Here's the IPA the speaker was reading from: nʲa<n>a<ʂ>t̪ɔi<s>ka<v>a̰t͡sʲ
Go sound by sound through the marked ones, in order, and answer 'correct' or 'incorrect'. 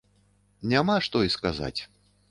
incorrect: m, correct, correct, incorrect: z

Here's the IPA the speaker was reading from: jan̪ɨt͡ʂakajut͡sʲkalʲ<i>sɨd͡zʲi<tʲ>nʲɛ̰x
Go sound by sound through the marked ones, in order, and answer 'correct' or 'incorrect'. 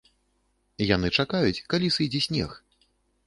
correct, incorrect: sʲ

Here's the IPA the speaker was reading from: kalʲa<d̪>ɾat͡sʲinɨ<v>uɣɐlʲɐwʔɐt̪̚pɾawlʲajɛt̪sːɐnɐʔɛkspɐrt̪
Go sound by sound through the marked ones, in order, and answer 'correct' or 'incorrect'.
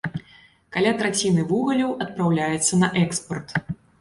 incorrect: t̪, correct

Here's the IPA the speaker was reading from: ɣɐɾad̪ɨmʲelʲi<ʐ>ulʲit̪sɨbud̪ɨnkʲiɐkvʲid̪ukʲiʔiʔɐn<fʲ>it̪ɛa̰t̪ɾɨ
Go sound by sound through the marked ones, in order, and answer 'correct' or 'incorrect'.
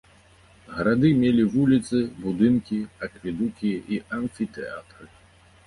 incorrect: v, correct

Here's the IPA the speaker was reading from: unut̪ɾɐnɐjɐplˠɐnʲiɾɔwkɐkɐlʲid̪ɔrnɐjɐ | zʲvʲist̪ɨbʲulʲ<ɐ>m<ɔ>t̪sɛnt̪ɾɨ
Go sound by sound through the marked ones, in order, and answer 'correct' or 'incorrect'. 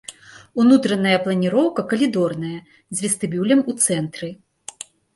correct, incorrect: u

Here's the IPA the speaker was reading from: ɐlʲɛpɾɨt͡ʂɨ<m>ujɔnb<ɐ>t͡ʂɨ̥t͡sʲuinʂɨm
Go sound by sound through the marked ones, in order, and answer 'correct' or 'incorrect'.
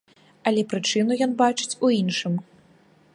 incorrect: n, incorrect: a

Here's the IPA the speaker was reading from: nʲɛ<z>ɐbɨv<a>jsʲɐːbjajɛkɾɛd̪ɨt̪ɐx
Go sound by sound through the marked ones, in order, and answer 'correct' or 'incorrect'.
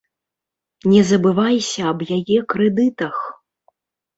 correct, correct

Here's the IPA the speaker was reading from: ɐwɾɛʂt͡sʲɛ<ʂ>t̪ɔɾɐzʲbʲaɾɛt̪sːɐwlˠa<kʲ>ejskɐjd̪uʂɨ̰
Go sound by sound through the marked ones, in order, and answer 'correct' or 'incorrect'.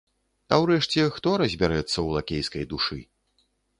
incorrect: x, correct

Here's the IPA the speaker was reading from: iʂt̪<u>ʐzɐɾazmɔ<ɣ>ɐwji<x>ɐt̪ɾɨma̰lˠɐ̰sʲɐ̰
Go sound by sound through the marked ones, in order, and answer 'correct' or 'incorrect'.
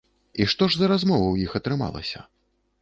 incorrect: ɔ, incorrect: v, correct

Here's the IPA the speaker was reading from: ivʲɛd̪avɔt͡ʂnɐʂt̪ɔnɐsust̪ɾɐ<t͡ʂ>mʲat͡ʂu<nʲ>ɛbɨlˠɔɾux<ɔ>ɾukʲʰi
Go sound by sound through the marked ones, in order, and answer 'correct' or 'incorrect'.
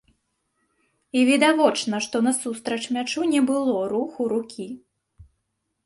correct, correct, incorrect: u

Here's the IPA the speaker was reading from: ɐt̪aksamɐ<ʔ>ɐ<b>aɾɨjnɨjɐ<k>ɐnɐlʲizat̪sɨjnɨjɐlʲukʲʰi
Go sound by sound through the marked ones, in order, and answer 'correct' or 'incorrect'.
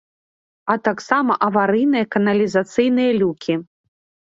correct, incorrect: v, correct

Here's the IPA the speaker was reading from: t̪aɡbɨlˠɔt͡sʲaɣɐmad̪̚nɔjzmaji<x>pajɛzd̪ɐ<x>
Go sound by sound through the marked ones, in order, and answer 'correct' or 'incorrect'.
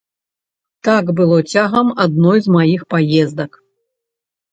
correct, incorrect: k

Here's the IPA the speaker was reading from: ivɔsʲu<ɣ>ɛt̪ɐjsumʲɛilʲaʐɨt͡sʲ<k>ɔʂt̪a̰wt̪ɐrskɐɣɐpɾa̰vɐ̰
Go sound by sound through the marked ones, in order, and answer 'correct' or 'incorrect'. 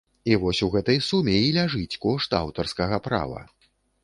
correct, correct

